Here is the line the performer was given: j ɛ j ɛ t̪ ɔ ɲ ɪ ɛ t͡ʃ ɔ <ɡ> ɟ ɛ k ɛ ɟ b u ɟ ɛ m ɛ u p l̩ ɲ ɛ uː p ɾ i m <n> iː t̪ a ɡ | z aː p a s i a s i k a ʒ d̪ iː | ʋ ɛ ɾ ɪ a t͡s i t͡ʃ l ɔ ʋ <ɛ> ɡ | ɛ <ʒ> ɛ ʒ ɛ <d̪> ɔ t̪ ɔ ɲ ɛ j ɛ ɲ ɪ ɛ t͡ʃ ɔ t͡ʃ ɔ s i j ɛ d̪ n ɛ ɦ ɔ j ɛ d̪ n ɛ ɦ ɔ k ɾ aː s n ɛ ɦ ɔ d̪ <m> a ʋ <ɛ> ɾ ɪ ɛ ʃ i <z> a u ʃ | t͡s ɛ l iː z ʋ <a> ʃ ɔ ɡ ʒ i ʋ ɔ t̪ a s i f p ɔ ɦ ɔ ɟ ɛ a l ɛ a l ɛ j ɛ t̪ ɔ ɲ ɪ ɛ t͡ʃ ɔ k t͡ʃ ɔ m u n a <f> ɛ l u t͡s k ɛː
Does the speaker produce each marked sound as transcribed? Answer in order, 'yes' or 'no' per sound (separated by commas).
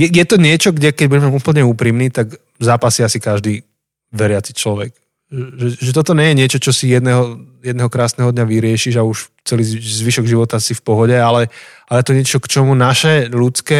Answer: yes, yes, yes, yes, no, no, no, no, no, no